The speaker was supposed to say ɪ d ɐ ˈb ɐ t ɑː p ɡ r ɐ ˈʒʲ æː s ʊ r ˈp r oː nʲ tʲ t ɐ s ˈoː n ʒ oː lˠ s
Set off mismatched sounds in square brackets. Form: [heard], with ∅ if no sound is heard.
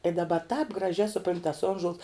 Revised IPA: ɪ d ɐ ˈb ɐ t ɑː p ɡ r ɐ ˈʒʲ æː s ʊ [∅] ˈp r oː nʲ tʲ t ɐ s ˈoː n ʒ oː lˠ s

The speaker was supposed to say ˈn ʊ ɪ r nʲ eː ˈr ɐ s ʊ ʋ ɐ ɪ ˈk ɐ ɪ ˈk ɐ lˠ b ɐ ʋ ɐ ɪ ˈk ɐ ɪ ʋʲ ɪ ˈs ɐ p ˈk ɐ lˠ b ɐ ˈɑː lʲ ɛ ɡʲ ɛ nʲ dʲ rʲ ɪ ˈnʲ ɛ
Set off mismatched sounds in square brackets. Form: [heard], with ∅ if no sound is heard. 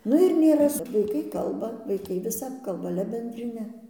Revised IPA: ˈn ʊ ɪ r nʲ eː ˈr ɐ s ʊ ʋ ɐ ɪ ˈk ɐ ɪ ˈk ɐ lˠ b ɐ ʋ ɐ ɪ ˈk ɐ ɪ ʋʲ ɪ ˈs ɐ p ˈk ɐ lˠ b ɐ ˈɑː lʲ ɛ [bʲ] ɛ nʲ dʲ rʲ ɪ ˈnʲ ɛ

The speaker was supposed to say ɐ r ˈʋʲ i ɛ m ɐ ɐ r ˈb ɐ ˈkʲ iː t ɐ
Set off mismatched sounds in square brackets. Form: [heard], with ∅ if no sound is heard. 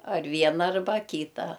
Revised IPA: ɐ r ˈʋʲ i ɛ [n] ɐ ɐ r ˈb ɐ ˈkʲ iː t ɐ

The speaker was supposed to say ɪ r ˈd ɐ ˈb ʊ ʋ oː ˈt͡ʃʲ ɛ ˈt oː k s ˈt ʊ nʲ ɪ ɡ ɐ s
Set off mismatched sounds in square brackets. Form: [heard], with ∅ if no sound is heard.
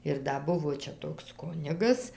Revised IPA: ɪ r ˈd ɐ ˈb ʊ ʋ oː ˈt͡ʃʲ ɛ ˈt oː k s [ˈk] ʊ nʲ ɪ ɡ ɐ s

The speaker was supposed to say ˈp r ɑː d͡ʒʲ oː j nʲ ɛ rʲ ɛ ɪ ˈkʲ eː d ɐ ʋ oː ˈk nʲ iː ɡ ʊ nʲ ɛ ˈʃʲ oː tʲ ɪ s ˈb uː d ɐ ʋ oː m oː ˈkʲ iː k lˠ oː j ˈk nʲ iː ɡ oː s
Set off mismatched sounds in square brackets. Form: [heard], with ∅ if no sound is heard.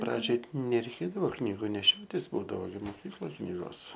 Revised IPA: ˈp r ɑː d͡ʒʲ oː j nʲ ɛ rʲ ɛ ɪ ˈkʲ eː d ɐ ʋ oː ˈk nʲ iː ɡ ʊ nʲ ɛ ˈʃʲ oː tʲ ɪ s ˈb uː d ɐ ʋ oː m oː ˈkʲ iː k lˠ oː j ˈk nʲ iː ɡ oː s

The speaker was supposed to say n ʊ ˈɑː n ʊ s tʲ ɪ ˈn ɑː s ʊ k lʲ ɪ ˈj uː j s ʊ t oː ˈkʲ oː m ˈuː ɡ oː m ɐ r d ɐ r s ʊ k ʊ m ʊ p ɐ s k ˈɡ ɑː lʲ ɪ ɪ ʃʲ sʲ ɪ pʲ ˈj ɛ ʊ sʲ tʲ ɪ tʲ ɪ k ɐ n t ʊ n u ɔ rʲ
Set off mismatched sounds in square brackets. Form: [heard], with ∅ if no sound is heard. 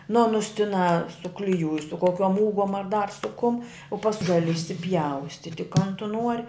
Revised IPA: n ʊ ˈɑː n ʊ s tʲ ɪ ˈn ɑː s ʊ k lʲ ɪ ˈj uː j s ʊ [k] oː ˈkʲ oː m ˈuː ɡ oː m ɐ r d ɐ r s ʊ k ʊ m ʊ p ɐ s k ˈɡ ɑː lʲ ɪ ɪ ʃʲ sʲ ɪ pʲ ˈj ɛ ʊ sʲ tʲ ɪ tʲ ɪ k ɐ n t ʊ n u ɔ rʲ

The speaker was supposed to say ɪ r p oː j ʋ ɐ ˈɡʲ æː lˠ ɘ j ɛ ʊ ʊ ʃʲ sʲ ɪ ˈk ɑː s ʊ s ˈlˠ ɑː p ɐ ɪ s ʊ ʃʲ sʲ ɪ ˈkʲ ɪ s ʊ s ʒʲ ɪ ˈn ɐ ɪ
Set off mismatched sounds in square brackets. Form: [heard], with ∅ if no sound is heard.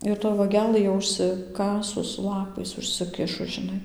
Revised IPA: ɪ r [t] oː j ʋ ɐ ˈɡʲ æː lˠ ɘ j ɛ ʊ ʊ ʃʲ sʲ ɪ ˈk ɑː s ʊ s ˈlˠ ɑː p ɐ ɪ s ʊ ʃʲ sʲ ɪ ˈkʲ ɪ [ʃ] ʊ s ʒʲ ɪ ˈn ɐ ɪ

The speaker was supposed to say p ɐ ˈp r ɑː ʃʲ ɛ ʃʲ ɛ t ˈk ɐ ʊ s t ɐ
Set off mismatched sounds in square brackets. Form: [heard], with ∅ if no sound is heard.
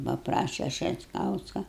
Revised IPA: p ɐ ˈp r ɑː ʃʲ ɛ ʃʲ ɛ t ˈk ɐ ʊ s [k] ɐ

